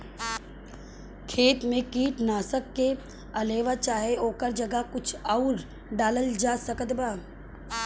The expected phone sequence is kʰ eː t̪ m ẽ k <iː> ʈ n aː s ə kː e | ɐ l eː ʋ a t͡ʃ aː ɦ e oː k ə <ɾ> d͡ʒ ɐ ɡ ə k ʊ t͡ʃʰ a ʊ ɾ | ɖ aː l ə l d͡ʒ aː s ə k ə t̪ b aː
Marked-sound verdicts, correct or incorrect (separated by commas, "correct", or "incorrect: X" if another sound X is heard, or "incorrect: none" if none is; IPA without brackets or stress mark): correct, correct